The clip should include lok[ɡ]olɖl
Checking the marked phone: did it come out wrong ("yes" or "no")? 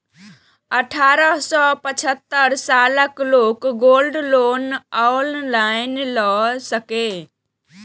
no